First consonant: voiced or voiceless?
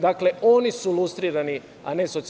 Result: voiced